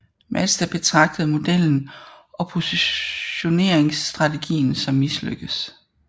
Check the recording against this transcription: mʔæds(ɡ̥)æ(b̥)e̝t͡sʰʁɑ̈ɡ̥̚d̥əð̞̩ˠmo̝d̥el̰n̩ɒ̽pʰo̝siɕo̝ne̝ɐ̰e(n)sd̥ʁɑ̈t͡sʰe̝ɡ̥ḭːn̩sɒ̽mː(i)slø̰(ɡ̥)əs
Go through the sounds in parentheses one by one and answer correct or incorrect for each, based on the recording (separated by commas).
incorrect, correct, incorrect, correct, correct